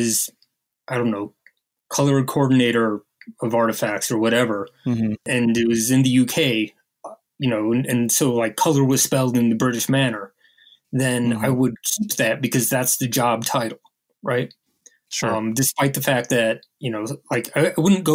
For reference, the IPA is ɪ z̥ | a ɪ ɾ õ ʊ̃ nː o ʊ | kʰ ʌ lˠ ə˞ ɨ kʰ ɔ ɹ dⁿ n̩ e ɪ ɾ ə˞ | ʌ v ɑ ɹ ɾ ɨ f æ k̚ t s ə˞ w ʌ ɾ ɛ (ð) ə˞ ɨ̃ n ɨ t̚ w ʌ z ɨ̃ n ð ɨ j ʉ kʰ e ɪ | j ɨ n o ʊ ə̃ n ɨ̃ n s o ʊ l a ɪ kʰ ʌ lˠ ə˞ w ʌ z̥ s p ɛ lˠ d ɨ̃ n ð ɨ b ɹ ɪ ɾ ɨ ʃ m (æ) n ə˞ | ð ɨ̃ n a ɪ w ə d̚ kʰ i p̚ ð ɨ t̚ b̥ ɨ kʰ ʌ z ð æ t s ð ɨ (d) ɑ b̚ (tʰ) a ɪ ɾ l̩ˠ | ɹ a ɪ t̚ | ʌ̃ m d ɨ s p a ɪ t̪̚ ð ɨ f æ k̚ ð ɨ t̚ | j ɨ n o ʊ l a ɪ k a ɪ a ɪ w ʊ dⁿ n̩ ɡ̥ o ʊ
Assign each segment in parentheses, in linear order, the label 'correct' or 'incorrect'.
incorrect: v, correct, incorrect: d͡ʒ, correct

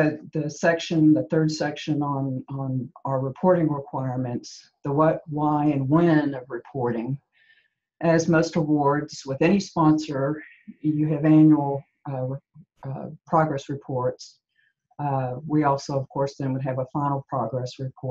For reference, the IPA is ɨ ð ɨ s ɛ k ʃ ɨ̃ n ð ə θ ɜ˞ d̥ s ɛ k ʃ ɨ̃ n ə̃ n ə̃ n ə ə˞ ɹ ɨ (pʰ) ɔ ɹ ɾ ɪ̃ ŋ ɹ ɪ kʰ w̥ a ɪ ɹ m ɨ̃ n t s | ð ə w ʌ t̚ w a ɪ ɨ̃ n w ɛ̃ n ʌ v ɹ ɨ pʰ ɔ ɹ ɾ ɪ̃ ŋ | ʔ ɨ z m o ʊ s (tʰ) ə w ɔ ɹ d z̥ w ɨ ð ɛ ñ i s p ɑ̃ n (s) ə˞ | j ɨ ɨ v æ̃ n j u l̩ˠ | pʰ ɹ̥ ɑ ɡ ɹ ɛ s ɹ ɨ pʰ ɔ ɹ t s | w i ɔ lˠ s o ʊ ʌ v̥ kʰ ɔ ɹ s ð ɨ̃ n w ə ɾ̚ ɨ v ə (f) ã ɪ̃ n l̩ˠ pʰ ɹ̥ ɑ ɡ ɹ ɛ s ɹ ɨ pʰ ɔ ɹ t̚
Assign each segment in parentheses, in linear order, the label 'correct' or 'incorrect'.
correct, incorrect: t, correct, correct

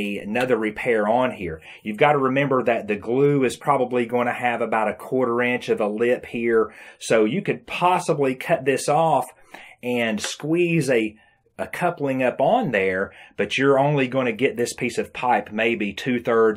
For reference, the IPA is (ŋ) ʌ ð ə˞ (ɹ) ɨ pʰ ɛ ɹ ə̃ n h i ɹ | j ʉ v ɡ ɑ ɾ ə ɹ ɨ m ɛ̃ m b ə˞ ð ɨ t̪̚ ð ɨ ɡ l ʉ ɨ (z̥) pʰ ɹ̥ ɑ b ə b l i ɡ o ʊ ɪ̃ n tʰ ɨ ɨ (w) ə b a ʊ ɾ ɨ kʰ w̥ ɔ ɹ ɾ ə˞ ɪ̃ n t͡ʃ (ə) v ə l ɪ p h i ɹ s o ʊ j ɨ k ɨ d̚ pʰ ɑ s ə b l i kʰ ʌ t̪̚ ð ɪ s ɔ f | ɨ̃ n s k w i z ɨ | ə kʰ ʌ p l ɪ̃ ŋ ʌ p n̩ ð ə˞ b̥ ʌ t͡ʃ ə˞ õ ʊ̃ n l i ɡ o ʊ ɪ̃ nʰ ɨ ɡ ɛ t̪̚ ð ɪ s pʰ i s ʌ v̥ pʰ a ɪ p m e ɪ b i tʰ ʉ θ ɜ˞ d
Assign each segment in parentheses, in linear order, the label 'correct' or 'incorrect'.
incorrect: n, correct, correct, incorrect: v, incorrect: ʌ

